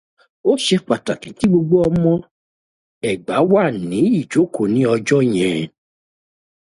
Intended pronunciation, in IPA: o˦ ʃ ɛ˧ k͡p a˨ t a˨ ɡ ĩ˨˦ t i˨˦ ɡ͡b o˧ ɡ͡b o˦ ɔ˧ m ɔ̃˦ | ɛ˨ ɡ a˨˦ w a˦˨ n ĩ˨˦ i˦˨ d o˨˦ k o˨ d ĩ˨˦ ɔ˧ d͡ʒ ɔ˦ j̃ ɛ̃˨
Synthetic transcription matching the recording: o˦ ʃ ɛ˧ k͡p a˨ t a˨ k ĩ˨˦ t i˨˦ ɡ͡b o˧ ɡ͡b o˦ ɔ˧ m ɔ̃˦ | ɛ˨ ɡ͡b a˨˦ w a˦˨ n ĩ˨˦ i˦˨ d͡ʒ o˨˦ k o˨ n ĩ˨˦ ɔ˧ d͡ʒ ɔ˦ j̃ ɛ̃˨